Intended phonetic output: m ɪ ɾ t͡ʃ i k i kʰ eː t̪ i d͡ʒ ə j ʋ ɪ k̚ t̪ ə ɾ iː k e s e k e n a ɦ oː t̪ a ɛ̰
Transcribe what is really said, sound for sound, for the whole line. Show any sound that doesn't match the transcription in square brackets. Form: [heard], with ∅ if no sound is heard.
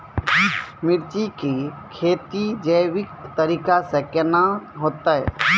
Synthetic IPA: m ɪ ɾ t͡ʃ i k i kʰ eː t̪ i d͡ʒ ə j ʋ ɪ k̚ t̪ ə ɾ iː k [a] s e k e n a ɦ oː t̪ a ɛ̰